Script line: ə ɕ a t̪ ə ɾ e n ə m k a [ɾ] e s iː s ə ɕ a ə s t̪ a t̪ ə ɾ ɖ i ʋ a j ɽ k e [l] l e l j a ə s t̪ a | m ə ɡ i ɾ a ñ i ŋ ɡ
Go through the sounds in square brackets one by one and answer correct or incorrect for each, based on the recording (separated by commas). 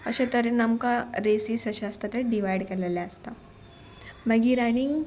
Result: correct, incorrect